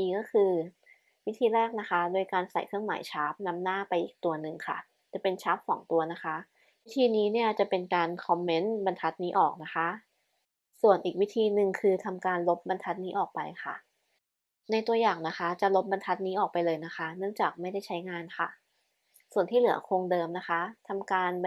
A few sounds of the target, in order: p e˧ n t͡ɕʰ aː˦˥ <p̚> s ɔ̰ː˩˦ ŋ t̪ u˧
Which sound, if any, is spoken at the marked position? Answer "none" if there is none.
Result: p̚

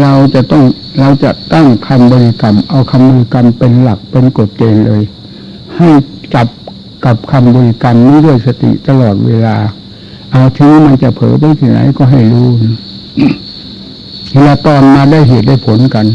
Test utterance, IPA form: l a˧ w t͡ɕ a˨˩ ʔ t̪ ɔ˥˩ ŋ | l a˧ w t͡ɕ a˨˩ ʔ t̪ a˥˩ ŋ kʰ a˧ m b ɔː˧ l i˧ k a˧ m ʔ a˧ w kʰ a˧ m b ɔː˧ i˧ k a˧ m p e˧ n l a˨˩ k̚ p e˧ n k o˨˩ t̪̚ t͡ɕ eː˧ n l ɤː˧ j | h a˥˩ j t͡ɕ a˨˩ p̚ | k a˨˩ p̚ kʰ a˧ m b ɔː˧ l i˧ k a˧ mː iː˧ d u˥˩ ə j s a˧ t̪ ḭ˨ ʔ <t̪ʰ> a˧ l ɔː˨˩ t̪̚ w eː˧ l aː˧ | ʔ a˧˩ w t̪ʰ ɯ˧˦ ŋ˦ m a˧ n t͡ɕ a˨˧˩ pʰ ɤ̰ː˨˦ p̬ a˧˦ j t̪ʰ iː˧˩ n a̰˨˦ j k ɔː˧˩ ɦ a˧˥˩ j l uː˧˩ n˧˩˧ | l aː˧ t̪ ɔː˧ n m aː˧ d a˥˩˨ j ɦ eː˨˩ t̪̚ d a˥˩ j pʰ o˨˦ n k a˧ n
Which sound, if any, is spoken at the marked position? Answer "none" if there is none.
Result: t̪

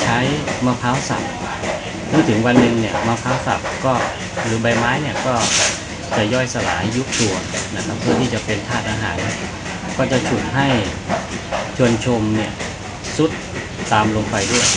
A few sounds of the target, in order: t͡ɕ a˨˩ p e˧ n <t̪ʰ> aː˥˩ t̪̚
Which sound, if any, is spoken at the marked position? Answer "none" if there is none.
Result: t̪ʰ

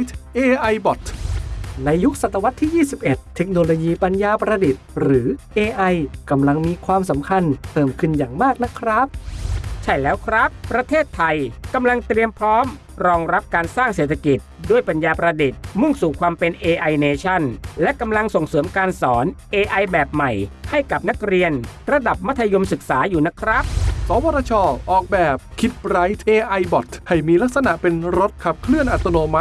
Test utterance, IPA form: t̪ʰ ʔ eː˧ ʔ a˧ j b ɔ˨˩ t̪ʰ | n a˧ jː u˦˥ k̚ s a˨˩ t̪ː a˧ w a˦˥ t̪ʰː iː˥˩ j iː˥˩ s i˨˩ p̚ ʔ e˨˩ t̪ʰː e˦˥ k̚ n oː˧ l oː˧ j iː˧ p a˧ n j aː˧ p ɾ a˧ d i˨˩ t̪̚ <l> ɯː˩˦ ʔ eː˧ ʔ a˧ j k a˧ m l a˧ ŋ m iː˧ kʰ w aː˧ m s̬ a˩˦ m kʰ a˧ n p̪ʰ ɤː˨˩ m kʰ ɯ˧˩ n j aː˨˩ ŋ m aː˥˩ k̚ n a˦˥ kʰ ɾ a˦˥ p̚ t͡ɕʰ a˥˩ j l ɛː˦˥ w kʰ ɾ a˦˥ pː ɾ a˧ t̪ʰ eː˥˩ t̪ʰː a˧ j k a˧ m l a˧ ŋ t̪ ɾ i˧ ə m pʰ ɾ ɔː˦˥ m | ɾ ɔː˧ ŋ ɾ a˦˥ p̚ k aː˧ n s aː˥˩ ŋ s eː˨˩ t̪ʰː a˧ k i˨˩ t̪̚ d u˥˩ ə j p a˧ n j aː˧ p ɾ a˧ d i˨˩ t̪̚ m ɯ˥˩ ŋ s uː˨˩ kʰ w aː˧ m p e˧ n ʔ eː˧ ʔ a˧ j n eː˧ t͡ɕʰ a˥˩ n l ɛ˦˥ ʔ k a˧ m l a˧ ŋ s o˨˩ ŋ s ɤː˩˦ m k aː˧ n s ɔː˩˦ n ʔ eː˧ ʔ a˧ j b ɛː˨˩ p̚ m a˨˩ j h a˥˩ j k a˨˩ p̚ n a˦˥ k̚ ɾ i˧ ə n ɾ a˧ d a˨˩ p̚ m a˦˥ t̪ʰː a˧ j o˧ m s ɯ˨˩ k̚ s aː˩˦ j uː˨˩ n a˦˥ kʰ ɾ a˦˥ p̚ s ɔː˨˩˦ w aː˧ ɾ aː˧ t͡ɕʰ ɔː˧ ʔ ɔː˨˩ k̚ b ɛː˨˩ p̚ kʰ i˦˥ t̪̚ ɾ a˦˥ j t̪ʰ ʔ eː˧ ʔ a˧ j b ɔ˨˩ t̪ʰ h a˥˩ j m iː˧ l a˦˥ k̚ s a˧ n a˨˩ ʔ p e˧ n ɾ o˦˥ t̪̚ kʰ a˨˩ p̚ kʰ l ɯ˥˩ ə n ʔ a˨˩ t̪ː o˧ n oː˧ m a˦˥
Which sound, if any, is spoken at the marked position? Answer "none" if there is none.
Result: ɾ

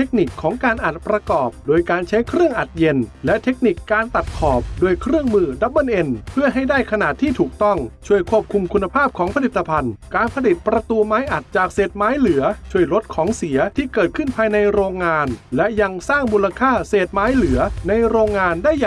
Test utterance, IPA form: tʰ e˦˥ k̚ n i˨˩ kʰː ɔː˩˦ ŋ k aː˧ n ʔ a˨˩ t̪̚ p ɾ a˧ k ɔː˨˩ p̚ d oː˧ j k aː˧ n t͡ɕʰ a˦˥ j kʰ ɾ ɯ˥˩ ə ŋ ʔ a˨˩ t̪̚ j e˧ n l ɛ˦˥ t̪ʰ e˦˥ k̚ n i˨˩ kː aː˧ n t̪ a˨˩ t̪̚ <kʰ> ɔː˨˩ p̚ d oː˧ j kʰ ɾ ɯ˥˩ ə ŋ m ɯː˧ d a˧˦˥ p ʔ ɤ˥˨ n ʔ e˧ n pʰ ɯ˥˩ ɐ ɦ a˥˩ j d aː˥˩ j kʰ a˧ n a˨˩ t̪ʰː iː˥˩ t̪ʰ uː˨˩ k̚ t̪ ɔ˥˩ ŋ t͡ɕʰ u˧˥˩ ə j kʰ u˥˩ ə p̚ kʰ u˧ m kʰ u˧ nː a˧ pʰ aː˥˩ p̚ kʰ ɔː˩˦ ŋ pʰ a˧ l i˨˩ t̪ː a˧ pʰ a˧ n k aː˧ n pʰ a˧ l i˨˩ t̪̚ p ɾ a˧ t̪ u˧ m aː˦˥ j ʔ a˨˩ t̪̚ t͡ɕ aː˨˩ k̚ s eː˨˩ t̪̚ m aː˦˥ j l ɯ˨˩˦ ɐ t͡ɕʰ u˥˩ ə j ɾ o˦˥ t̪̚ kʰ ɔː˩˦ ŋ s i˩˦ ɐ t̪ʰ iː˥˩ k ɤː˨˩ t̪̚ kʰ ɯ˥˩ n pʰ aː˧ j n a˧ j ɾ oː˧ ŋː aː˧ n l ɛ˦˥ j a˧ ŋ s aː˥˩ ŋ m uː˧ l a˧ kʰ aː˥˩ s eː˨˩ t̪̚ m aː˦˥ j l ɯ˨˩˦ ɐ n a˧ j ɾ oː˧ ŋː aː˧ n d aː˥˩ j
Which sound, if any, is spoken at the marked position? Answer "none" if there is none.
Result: kʰ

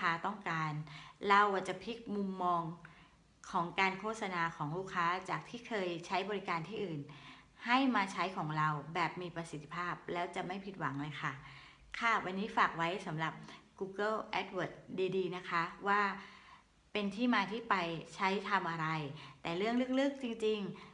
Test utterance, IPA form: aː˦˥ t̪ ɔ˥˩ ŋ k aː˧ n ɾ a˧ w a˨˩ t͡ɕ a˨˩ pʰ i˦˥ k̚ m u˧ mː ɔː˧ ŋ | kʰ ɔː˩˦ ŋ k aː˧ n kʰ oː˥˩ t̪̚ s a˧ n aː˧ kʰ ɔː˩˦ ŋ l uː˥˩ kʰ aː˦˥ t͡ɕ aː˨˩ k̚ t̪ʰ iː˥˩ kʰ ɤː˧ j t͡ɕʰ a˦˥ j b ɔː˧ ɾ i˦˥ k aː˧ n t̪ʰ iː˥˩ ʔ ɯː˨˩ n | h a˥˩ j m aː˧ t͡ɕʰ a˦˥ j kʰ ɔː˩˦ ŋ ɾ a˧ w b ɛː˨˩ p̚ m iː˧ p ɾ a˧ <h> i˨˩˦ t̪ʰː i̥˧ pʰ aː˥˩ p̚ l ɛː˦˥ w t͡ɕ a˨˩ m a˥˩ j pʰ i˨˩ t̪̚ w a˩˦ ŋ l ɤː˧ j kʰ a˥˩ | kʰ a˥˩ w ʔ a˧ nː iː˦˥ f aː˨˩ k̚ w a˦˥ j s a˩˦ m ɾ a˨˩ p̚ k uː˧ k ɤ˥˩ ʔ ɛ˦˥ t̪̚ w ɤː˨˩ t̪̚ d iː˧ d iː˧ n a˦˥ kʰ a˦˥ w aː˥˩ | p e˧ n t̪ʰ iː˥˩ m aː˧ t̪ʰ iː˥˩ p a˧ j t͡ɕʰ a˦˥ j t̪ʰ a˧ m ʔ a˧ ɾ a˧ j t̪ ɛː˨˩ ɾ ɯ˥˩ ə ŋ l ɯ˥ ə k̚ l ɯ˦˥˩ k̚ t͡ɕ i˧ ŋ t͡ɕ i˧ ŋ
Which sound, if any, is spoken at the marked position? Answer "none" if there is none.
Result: s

